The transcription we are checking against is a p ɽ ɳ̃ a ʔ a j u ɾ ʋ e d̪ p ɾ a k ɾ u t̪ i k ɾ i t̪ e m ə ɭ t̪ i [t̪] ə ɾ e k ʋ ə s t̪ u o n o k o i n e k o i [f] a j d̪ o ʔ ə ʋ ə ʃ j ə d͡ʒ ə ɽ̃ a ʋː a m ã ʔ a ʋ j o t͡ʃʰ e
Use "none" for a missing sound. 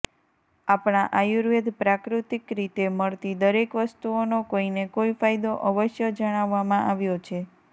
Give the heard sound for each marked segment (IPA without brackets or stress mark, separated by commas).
d̪, f